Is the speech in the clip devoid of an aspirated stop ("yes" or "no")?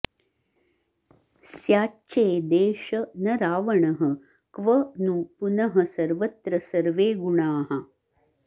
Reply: yes